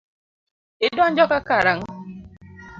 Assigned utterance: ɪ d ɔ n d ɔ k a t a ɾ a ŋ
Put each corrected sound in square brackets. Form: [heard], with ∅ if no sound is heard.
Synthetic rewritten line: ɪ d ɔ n [d͡ʒ] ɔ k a [k] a ɾ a ŋ